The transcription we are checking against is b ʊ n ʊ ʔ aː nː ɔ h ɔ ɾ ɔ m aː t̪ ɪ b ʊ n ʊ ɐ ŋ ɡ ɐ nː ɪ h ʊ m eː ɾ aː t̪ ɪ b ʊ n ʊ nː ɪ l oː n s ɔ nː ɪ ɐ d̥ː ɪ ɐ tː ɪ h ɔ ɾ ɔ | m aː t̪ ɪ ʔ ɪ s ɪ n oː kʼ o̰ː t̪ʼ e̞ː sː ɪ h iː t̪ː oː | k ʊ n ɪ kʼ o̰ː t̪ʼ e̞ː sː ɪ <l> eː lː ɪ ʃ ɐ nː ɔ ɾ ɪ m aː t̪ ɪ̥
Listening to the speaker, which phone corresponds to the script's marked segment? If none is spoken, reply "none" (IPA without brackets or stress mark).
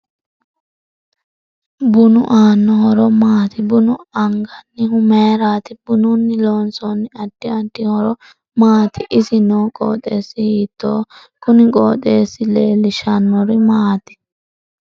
l